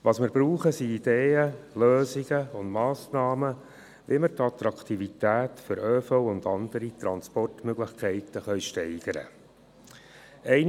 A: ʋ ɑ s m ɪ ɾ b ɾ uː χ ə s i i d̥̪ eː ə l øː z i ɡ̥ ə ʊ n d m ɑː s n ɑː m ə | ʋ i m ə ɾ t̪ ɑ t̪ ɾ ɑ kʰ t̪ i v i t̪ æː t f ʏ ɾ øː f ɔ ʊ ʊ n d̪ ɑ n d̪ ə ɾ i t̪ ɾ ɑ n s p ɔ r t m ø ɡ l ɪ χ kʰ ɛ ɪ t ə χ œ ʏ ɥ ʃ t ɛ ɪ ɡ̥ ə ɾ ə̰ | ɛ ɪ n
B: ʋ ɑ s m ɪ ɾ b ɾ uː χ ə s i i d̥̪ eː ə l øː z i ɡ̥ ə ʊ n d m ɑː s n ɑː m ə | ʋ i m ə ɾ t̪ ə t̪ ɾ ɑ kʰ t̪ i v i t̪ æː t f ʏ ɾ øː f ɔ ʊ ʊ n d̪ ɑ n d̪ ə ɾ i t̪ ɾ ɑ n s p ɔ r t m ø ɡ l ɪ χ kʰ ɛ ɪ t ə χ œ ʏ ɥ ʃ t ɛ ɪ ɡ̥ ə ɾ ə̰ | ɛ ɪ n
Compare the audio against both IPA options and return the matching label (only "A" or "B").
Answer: A